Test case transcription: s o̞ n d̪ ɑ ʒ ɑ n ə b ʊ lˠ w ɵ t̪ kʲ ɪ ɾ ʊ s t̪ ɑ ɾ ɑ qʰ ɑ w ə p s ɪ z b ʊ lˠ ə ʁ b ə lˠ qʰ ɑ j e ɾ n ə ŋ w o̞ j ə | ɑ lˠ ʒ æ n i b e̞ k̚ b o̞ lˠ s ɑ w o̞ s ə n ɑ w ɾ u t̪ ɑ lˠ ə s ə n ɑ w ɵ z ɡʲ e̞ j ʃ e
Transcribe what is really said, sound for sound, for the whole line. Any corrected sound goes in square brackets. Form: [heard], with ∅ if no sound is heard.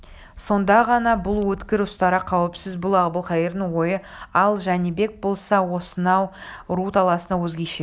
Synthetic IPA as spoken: s o̞ n d̪ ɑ [ʁ] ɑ n [ɑ] b ʊ lˠ w ɵ t̪ kʲ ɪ ɾ ʊ s t̪ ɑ ɾ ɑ qʰ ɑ w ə p s ɪ z b ʊ lˠ [ɑ] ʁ b ə lˠ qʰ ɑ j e ɾ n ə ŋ w o̞ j ə | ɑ lˠ ʒ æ n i b e̞ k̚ b o̞ lˠ s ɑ w o̞ s ə n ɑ w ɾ u t̪ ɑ lˠ [ɑ] s ə n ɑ w ɵ z ɡʲ e̞ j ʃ e